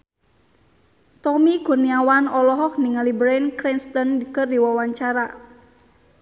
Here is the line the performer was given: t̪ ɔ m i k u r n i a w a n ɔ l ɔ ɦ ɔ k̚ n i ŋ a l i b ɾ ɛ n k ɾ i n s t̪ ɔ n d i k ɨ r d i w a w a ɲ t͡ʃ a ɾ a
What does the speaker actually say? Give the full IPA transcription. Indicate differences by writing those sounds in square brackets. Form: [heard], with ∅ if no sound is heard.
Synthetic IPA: t̪ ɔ m i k u r n i a w a n ɔ l ɔ ɦ ɔ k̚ n i ŋ a l i b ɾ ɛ n k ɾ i n s t̪ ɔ n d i k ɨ r d i w a w a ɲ t͡ʃ a ɾ a